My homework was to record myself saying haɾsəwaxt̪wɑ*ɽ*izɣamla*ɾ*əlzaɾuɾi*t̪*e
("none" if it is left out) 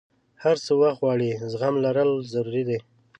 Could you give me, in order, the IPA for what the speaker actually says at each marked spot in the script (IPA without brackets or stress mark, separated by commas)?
ɽ, ɾ, d̪